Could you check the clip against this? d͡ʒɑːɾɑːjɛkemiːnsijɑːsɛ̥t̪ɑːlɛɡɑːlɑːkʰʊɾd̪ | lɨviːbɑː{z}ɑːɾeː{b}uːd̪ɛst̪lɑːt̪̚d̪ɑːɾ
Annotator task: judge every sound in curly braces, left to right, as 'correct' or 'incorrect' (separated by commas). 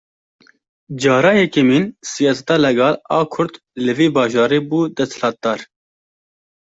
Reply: incorrect, correct